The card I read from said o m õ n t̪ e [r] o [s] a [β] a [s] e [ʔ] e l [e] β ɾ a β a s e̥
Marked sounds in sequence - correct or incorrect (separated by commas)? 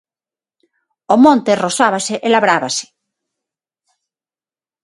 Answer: correct, correct, correct, correct, correct, incorrect